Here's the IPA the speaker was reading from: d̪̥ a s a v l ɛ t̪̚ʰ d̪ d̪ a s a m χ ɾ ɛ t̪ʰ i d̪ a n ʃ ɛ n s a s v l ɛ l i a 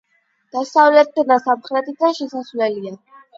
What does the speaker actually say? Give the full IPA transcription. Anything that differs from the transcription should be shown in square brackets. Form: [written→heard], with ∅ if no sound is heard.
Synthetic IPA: d̪̥ a s a v l ɛ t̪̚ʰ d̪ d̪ a s a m χ ɾ ɛ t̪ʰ i d̪ a n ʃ ɛ [n→∅] s a s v l ɛ l i a